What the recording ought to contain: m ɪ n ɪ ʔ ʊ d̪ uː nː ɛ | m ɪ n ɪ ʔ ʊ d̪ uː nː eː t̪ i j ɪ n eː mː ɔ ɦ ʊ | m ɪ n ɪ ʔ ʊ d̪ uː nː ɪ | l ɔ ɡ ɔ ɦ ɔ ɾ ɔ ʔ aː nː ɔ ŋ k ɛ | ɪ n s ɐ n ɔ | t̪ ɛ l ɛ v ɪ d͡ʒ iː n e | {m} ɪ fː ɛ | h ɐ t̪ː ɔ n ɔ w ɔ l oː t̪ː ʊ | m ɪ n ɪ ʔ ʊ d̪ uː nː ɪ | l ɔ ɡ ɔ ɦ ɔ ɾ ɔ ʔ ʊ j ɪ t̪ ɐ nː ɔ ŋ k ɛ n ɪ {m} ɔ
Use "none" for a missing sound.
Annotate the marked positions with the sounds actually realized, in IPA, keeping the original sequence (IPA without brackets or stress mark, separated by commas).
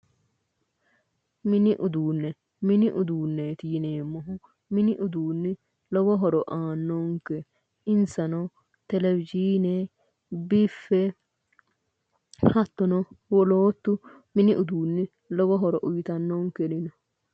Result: b, n